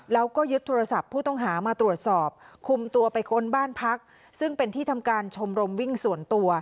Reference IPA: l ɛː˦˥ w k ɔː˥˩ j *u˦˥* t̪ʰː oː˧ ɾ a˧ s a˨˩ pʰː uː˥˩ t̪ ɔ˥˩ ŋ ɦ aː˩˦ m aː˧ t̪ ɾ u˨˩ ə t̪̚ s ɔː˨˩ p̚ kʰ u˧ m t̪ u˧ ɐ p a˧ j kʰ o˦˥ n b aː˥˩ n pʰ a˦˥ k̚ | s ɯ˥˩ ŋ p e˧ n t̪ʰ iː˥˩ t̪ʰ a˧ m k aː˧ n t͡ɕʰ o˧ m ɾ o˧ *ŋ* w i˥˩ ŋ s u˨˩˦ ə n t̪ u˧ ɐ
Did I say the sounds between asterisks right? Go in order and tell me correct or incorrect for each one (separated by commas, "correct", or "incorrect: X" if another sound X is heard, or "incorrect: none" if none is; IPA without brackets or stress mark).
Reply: incorrect: ɯ˦˥, incorrect: m